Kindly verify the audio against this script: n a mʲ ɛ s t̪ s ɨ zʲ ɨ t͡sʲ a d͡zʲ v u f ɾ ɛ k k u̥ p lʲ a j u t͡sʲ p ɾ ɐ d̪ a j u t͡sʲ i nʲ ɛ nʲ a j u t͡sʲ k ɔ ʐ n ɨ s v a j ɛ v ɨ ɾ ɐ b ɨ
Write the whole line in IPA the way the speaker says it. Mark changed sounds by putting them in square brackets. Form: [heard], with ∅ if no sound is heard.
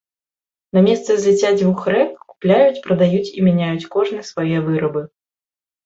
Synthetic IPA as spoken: n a mʲ ɛ s t̪ s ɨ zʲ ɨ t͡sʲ a d͡zʲ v u [x] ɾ ɛ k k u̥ p lʲ a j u t͡sʲ p ɾ ɐ d̪ a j u t͡sʲ i [mʲ] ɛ nʲ a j u t͡sʲ k ɔ ʐ n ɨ s v a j ɛ v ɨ ɾ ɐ b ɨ